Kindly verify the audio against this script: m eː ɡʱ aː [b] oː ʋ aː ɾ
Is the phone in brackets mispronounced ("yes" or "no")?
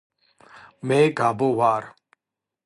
no